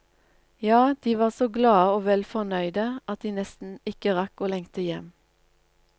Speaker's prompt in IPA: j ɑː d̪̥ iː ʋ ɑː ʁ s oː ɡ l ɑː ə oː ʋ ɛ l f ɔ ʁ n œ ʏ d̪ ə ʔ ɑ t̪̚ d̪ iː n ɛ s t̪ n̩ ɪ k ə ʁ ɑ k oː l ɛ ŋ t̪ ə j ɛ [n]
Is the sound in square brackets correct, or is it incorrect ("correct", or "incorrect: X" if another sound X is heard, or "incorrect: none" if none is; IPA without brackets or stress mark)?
incorrect: m